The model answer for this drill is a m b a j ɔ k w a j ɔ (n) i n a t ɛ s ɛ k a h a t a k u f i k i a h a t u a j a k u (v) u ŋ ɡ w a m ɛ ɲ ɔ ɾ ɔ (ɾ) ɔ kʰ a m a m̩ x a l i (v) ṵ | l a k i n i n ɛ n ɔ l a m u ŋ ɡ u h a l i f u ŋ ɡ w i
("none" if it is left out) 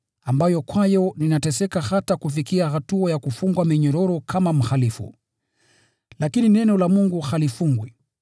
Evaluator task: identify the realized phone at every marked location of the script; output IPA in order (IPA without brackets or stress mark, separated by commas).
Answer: n, f, ɾ, f